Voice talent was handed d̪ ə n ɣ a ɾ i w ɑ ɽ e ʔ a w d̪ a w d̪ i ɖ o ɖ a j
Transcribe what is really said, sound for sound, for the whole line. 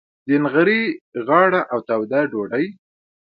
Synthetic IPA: d̪ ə n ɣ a ɾ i ɣ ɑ ɽ a ʔ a w t̪ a w d̪ a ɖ o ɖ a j